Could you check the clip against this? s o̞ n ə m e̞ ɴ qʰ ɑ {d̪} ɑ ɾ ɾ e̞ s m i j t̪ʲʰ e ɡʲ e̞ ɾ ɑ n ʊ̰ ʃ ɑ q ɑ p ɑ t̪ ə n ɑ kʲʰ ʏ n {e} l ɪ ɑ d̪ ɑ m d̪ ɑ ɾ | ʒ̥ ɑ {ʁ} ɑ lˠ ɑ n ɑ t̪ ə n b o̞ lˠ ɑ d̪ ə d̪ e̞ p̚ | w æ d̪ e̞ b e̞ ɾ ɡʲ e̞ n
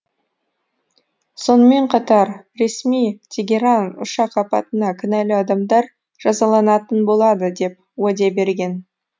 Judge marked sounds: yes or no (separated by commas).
no, no, no